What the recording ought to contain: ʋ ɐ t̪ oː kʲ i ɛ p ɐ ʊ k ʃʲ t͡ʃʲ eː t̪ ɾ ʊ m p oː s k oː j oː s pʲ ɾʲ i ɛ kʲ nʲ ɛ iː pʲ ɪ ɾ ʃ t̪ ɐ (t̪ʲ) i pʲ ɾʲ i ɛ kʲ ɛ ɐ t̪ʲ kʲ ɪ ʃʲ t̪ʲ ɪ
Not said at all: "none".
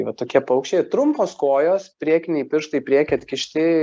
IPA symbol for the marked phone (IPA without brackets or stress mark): none